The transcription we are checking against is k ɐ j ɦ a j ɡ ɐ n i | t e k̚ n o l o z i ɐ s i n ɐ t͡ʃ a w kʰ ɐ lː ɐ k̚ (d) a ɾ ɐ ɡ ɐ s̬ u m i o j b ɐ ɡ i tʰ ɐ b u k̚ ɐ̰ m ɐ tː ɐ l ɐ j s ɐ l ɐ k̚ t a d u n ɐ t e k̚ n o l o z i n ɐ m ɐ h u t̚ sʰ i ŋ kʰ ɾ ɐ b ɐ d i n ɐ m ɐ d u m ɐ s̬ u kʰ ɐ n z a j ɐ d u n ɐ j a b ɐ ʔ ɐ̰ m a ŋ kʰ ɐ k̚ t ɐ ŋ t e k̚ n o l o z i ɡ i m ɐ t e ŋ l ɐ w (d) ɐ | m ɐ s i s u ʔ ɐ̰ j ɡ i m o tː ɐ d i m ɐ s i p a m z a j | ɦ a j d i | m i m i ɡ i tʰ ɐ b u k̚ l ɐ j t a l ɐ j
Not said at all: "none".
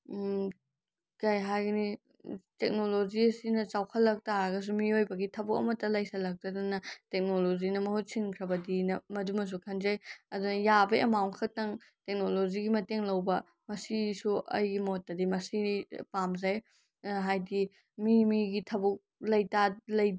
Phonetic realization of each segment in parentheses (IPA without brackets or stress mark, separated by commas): t, b